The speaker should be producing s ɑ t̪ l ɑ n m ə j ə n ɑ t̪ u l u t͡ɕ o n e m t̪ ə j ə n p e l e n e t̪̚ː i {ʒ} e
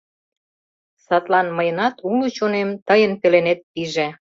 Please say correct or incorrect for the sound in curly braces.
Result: correct